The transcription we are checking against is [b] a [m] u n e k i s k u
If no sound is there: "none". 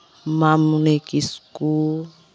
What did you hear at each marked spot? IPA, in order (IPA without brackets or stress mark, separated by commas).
m, m